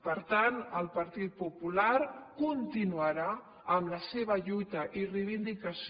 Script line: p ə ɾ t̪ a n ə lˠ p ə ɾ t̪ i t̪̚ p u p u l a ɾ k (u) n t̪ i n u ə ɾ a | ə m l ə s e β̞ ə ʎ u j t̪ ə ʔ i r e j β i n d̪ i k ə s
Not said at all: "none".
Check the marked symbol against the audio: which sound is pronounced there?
u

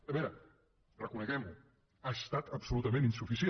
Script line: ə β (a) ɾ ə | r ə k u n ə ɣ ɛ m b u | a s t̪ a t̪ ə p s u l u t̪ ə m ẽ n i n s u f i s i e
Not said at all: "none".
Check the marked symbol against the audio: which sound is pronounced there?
ɛ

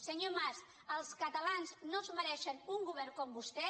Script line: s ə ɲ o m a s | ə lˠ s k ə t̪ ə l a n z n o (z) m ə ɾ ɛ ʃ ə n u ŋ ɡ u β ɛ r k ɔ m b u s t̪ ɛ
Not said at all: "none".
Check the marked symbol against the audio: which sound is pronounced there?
z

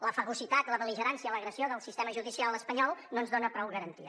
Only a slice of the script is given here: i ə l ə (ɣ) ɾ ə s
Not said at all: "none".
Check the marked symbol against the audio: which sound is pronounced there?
ɣ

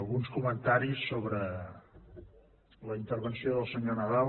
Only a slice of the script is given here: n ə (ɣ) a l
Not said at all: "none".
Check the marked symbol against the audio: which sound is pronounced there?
ð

